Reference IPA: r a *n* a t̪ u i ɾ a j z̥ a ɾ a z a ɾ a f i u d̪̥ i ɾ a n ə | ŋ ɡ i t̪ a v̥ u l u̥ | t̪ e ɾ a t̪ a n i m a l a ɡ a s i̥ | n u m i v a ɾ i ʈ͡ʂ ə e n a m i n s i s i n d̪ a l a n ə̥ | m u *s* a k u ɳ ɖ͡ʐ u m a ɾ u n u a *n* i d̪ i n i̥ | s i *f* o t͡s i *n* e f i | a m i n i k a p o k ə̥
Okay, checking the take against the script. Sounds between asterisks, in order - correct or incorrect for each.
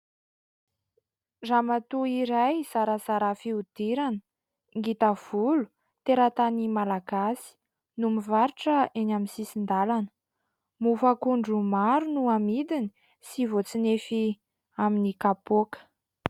incorrect: m, incorrect: f, incorrect: m, incorrect: v, correct

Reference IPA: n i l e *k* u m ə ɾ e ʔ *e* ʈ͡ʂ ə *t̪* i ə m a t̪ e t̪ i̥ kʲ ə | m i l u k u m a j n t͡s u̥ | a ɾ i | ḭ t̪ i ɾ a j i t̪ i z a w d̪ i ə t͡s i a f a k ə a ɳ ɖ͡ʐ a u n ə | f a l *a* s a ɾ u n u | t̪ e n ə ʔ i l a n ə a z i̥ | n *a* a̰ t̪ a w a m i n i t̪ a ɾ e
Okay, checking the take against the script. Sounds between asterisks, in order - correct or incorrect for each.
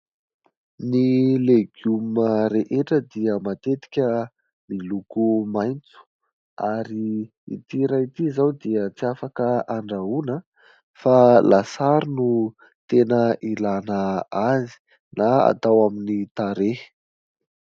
incorrect: ɡ, correct, incorrect: d̪, correct, correct

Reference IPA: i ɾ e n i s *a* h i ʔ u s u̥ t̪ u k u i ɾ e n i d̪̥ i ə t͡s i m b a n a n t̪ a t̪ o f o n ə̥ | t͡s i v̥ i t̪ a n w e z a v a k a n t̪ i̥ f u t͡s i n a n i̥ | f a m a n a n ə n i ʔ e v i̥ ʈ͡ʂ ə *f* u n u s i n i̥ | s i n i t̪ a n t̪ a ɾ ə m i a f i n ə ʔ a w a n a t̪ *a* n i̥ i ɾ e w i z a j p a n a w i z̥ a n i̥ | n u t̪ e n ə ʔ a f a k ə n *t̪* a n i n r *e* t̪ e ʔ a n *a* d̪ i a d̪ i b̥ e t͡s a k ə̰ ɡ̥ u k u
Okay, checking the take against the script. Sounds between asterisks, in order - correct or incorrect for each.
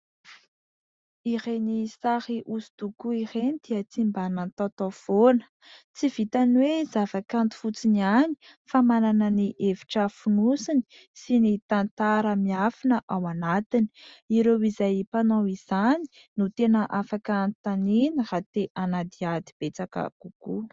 correct, correct, incorrect: i, correct, incorrect: a, correct

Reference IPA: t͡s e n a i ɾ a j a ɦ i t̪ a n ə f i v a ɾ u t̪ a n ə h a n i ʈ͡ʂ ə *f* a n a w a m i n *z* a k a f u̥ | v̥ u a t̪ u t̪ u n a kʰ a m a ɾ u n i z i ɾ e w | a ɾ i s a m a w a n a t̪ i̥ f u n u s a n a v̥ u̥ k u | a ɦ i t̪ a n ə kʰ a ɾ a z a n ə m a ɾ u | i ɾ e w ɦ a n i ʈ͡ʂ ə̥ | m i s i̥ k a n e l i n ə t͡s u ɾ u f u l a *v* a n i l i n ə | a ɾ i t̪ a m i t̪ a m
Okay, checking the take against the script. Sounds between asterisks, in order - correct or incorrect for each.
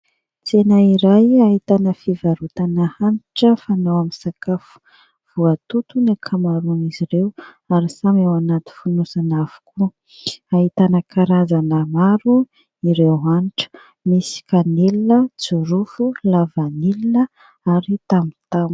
correct, incorrect: s, correct

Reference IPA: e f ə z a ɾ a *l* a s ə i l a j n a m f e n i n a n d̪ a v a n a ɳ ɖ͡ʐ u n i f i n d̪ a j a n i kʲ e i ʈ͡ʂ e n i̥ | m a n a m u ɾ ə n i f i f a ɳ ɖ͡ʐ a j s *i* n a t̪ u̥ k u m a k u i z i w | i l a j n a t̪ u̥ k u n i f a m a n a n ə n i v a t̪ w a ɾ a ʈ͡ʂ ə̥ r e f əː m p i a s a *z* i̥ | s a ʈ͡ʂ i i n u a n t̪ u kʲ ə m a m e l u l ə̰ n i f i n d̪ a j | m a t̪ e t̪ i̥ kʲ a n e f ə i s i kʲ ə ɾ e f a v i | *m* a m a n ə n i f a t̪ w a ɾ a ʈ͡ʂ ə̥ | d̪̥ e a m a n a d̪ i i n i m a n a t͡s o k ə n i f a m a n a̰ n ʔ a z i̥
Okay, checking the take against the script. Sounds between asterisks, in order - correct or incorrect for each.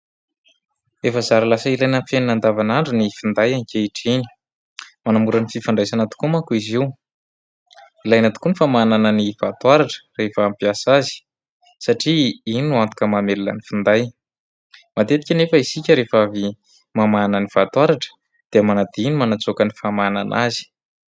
correct, incorrect: a, correct, correct

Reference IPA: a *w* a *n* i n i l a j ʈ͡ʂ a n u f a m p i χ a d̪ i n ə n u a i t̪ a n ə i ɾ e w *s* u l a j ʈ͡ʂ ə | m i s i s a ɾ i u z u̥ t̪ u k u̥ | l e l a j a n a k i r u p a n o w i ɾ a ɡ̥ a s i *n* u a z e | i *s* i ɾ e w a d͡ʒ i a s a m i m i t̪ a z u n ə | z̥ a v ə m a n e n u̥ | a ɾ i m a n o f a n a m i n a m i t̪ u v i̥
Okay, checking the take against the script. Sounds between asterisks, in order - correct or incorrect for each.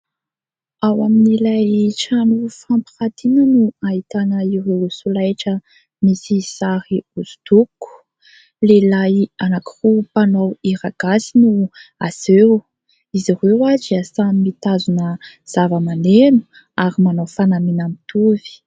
correct, incorrect: m, correct, correct, incorrect: z

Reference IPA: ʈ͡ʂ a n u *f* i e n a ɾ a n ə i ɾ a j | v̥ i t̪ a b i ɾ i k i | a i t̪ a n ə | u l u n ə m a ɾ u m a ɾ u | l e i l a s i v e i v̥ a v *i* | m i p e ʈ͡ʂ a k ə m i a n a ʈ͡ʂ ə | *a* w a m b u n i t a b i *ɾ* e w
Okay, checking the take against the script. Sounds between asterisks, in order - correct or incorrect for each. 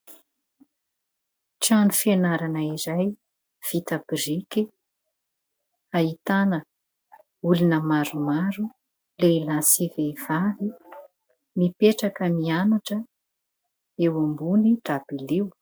correct, correct, incorrect: e, incorrect: l

